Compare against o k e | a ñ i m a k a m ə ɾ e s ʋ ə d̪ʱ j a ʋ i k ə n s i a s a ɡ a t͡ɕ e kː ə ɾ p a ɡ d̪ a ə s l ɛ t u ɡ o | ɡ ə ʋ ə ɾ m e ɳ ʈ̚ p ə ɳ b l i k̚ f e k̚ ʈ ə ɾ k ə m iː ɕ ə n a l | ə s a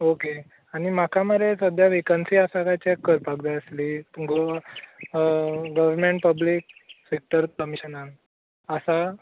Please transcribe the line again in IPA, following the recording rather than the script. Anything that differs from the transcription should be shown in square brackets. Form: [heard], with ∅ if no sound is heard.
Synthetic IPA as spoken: o k e | a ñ i m a k a m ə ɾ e s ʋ ə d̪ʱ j a ʋ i k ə n s i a s a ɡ a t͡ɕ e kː ə ɾ p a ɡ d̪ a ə s l [i] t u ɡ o | ɡ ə ʋ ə ɾ m e ɳ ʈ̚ p ə [∅] b l i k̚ [s] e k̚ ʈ ə ɾ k ə m [i] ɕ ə n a l | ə s a